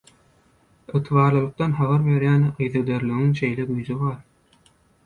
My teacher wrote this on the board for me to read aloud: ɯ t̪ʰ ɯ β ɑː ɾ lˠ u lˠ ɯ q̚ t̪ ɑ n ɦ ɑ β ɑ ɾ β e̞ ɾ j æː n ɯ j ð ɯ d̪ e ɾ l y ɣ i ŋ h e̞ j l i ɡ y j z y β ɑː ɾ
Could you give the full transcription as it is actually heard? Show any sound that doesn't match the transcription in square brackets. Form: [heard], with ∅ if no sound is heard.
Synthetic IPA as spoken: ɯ t̪ʰ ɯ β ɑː ɾ lˠ [ɯ] lˠ ɯ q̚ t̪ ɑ n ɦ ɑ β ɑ ɾ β e̞ ɾ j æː n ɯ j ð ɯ d̪ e ɾ l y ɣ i ŋ [ʃ] e̞ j l [e] ɡ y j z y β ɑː ɾ